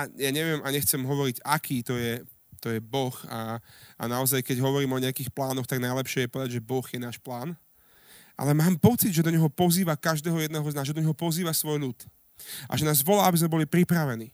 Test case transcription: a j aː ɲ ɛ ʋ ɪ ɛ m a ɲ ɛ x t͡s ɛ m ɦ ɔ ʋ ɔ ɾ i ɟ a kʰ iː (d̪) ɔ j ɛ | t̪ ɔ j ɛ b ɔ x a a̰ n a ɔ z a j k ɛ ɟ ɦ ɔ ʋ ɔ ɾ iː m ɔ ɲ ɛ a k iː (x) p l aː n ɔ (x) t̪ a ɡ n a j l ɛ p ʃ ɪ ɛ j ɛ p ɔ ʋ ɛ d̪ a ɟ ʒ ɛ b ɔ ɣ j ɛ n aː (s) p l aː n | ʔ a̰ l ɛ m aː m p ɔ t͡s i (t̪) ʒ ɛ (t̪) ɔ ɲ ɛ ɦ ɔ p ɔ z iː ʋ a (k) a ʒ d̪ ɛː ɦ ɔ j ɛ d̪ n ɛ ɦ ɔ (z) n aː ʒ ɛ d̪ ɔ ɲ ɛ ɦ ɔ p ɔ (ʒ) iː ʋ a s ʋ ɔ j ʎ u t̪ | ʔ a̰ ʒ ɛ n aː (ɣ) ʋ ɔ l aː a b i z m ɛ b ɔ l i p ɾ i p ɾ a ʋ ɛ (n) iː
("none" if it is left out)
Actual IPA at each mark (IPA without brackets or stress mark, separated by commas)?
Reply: t̪, x, x, ʃ, d̪, d̪, k, z, z, z, n